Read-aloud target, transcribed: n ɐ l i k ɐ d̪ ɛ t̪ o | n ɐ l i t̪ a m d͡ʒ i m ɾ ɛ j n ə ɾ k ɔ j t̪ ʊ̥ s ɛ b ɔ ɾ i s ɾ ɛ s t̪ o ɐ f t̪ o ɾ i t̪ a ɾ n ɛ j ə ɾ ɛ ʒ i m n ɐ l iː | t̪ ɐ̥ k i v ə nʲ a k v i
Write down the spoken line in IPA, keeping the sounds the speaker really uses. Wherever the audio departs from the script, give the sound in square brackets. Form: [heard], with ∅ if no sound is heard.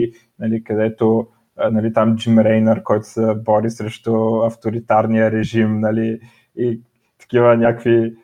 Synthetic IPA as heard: n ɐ l i k ɐ d̪ ɛ t̪ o | n ɐ l i t̪ a m d͡ʒ i m ɾ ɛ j n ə ɾ k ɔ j t̪ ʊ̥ s ɛ b ɔ ɾ i s ɾ ɛ [ʃ] t̪ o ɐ f t̪ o ɾ i t̪ a ɾ n [i] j ə ɾ ɛ ʒ i m n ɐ l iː | t̪ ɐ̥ k i v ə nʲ a k v i